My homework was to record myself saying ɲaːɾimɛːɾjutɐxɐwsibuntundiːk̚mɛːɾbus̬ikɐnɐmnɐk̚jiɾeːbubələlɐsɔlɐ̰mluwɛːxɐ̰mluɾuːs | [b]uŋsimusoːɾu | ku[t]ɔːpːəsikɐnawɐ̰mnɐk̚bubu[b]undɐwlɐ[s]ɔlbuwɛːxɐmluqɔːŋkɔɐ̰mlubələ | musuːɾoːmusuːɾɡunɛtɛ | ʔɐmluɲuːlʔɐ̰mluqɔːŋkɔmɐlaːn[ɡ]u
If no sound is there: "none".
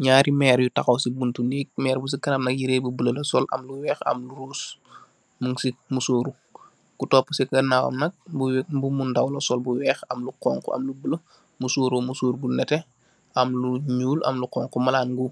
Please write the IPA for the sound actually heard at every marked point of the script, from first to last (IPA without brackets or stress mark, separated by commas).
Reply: m, t, m, s, ɡ